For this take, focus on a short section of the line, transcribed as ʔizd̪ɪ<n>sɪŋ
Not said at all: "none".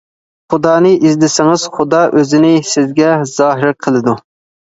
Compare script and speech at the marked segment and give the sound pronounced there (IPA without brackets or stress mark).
none